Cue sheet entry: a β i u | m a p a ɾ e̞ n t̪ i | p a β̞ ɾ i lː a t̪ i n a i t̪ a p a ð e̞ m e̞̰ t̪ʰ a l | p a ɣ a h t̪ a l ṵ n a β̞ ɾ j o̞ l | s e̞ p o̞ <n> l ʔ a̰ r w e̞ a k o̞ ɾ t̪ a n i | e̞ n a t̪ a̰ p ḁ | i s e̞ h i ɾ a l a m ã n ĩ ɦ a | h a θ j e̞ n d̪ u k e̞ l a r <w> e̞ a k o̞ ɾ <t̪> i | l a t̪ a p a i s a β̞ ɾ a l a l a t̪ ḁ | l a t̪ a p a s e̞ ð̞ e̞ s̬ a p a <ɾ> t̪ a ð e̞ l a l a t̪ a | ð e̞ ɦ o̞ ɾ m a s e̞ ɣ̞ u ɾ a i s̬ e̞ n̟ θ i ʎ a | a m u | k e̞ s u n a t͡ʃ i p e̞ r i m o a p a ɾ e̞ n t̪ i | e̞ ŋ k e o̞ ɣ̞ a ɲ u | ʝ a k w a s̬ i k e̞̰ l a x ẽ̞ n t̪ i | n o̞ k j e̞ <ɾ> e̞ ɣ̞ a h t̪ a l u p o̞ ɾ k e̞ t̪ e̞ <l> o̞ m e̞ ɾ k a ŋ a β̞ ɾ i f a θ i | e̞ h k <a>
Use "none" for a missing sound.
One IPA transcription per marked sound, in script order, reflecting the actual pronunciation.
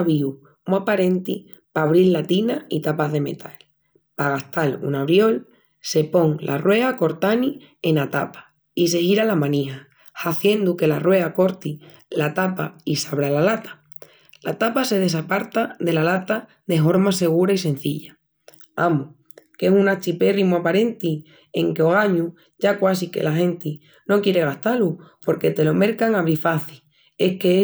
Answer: ŋ, w, t̪, ɾ, ɾ, l, e

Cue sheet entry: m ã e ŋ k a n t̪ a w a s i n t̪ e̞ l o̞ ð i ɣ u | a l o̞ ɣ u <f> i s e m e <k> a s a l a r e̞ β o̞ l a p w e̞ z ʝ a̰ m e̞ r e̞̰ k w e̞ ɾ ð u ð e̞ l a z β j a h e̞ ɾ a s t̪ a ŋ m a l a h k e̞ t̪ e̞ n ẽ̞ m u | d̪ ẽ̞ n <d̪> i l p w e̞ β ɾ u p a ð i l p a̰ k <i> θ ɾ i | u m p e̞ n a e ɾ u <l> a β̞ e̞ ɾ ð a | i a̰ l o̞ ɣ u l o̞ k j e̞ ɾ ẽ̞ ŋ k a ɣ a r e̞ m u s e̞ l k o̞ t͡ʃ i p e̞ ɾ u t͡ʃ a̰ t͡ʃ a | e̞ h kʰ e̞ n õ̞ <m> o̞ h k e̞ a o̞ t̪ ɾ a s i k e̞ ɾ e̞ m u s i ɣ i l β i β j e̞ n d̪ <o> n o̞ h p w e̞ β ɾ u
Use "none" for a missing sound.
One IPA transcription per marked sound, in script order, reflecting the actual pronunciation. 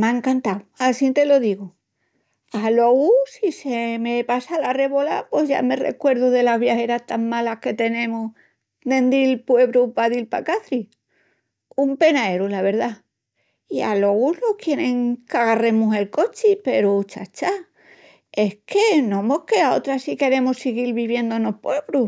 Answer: s, p, d̪, a, l, m, o

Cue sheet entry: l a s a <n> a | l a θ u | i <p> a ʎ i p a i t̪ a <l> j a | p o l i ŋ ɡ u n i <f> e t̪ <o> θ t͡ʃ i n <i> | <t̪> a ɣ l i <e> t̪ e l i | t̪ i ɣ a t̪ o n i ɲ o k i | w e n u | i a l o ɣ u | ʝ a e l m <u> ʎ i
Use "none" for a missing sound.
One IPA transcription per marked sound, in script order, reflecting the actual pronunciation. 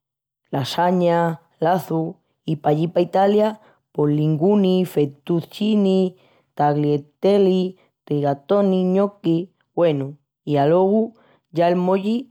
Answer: ɲ, p, l, f, u, i, t̪, e, o

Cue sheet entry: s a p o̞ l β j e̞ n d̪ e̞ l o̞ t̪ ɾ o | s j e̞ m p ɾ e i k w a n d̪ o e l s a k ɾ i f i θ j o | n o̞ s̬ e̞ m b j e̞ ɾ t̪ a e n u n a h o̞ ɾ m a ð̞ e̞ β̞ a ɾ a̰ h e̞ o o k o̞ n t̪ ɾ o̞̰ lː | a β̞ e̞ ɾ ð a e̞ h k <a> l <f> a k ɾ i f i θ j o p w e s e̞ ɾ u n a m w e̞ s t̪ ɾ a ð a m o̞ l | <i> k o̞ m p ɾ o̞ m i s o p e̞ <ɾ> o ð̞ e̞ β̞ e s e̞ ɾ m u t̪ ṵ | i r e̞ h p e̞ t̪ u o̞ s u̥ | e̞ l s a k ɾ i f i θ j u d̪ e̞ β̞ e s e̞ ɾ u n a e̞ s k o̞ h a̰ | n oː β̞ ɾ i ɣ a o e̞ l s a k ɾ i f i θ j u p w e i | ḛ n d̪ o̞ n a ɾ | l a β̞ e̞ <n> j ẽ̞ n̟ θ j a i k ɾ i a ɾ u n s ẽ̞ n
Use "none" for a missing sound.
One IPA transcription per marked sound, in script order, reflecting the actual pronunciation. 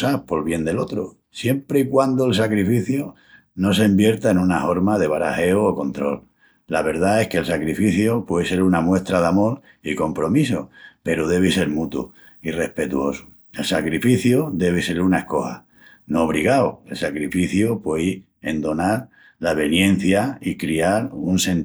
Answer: e, s, i, ɾ, n

